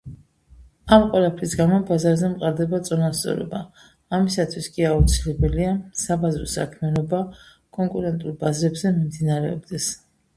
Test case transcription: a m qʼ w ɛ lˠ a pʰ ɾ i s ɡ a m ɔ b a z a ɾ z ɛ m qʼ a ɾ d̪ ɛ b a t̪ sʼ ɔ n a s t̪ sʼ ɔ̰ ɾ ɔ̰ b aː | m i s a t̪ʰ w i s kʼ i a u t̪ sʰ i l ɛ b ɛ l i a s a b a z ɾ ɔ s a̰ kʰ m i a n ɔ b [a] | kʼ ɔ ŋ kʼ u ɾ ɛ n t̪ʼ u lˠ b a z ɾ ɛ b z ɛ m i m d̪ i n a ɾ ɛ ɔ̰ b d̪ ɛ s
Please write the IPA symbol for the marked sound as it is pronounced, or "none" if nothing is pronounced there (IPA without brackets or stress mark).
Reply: a